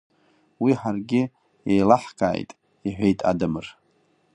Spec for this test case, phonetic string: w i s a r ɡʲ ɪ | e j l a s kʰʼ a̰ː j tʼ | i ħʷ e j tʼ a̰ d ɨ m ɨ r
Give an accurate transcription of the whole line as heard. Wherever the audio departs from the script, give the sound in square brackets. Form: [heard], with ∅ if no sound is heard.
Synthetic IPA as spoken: w i [ħ] a r ɡʲ ɪ | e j l a [ħ] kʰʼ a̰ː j tʼ | i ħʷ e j tʼ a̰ d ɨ m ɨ r